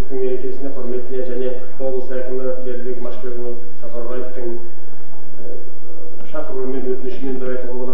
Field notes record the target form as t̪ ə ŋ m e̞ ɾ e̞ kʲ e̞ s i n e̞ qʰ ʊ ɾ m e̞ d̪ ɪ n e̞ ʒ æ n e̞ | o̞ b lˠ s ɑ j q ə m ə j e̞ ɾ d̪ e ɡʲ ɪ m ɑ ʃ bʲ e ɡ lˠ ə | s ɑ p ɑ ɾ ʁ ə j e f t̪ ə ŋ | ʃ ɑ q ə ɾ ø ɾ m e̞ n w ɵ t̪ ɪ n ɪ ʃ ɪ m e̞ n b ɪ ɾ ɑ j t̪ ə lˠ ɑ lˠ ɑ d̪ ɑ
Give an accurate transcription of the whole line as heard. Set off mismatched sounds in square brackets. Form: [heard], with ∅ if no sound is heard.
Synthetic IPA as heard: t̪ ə ŋ m e̞ ɾ e̞ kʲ e̞ s [ɪ] n e̞ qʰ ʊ ɾ m e̞ [t̪] ɪ n e̞ ʒ æ n e̞ | o̞ b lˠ s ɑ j q ə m ə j e̞ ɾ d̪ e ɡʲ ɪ m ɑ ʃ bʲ e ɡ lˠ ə | s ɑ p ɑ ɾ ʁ [ɑ] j e f t̪ ə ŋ | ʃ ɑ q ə ɾ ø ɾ m e̞ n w ɵ t̪ ɪ n ɪ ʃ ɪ m e̞ n b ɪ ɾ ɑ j t̪ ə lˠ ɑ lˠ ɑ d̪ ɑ